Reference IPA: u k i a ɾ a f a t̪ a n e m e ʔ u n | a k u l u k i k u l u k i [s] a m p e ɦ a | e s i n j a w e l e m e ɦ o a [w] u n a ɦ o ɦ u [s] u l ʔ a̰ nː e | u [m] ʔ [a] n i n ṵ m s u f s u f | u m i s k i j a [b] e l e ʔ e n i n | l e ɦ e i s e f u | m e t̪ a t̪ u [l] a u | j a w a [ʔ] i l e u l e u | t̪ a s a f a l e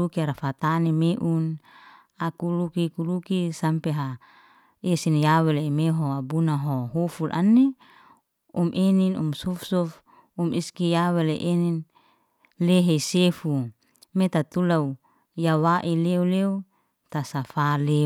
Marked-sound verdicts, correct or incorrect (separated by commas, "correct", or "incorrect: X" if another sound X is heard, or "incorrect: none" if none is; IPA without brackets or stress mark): correct, incorrect: b, incorrect: f, correct, incorrect: e, incorrect: w, correct, correct